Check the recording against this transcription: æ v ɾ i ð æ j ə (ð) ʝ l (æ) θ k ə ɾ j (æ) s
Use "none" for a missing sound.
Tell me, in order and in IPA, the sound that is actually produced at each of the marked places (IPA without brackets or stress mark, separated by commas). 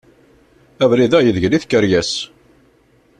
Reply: ð, i, æ